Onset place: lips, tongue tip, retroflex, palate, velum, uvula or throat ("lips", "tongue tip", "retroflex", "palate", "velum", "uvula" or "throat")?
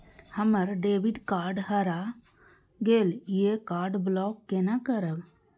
throat